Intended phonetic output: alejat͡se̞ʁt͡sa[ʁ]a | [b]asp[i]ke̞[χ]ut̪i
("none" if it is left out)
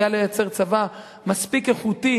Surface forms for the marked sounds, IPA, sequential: v, m, i, χ

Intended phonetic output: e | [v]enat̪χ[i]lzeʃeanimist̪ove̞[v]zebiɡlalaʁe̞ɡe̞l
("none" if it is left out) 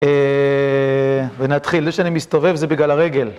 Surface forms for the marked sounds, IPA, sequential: v, i, v

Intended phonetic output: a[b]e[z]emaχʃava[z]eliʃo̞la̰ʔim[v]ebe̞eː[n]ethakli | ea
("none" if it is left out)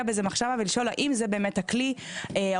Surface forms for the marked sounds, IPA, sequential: b, z, v, z, m

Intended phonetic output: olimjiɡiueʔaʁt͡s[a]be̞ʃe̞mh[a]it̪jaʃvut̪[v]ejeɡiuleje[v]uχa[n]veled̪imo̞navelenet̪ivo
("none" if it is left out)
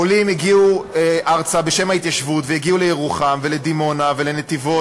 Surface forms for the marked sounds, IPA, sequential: a, a, v, ʁ, m

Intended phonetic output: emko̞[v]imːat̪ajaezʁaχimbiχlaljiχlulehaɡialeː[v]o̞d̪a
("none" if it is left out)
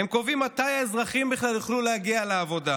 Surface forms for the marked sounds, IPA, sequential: v, v

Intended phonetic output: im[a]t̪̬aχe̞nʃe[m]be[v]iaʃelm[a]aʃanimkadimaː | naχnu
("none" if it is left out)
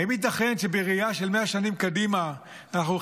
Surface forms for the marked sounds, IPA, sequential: i, none, ʁ, e

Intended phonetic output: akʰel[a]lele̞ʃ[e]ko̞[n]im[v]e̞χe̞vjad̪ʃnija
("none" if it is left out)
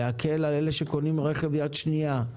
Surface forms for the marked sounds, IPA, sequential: a, e, n, ʁ

